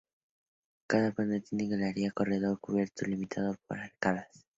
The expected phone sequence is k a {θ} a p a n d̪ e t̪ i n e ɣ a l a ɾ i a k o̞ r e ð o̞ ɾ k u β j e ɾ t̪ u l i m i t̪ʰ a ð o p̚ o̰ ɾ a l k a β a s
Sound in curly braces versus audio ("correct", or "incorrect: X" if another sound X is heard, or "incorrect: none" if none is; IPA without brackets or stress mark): incorrect: ð